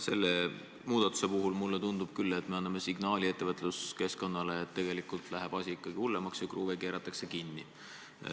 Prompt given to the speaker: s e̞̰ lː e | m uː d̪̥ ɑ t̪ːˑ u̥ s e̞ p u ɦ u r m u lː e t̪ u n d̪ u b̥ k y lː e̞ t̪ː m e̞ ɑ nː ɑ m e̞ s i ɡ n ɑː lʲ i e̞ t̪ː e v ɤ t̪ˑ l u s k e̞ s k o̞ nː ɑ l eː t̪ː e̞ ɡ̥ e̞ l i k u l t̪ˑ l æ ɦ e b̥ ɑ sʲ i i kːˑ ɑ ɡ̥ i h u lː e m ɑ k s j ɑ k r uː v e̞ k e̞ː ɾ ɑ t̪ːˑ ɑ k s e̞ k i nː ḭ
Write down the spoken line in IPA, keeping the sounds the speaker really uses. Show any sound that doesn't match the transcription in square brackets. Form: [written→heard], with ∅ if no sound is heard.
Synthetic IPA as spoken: s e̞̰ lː e | m uː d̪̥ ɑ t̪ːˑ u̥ s e̞ p u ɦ u [r→l] m u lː e t̪ u n d̪ u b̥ k y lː e̞ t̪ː m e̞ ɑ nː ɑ m e̞ s i ɡ n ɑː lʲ i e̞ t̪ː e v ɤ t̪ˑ l u s k e̞ s k o̞ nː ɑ l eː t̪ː e̞ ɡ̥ e̞ l i k u l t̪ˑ l æ ɦ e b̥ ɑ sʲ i i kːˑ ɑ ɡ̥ i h u lː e m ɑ k s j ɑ k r uː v e̞ k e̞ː ɾ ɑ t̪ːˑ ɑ k s e̞ k i nː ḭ